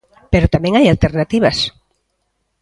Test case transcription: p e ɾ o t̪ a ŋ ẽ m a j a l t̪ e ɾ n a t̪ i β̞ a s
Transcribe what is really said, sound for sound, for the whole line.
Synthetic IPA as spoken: p e ɾ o t̪ a m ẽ ŋ a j a l t̪ e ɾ n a t̪ i β̞ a s

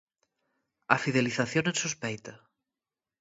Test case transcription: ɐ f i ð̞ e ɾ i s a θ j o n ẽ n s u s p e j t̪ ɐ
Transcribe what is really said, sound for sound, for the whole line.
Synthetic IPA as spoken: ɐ f i ð̞ e l i θ a θ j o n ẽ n s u s p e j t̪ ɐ

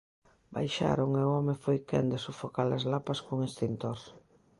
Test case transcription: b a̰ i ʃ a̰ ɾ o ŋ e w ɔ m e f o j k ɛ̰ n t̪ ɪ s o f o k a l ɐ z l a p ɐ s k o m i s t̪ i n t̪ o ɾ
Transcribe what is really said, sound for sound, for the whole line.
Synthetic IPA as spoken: b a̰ j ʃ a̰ ɾ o ŋ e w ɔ m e f o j k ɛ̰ n d̪ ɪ s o f o k a l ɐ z l a p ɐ s k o ŋ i s t̪ i n t̪ o ɾ

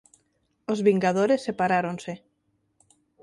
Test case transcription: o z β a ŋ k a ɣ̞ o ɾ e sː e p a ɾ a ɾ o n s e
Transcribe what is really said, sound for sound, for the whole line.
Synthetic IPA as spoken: o z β i ŋ ɡ a ð̞ o ɾ e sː e p a ɾ a ɾ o n s e

